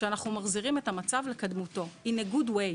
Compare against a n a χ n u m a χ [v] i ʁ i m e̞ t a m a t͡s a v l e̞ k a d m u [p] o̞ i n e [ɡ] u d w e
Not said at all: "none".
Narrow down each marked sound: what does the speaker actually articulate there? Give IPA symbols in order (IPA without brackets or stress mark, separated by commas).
z, t, ɡ